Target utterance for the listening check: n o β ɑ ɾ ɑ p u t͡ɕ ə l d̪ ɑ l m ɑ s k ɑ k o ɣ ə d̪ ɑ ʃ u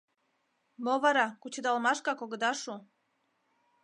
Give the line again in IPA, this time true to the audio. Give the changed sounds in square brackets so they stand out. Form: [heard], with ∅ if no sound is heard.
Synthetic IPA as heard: [m] o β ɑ ɾ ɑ [k] u t͡ɕ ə [∅] d̪ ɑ l m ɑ [ʃ] k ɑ k o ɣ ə d̪ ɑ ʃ u